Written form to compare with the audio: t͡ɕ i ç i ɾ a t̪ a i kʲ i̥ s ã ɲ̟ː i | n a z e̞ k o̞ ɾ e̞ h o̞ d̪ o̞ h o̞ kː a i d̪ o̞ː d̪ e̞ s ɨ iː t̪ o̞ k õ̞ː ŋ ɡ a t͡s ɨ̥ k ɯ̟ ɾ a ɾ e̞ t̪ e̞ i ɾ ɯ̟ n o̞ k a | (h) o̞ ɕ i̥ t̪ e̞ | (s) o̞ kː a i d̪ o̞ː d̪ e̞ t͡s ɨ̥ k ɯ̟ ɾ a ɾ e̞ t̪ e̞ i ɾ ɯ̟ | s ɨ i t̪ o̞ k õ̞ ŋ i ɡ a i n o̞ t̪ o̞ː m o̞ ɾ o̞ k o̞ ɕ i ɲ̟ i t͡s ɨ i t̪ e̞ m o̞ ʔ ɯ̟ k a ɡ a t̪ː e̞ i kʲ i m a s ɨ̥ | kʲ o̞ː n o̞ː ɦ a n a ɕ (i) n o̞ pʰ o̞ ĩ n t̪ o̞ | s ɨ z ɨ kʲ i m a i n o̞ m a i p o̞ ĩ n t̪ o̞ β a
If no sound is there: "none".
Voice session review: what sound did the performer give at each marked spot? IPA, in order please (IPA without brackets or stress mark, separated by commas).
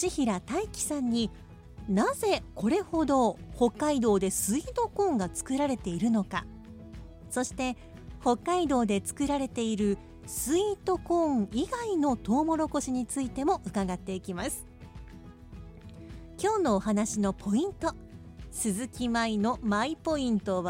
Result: s, h, i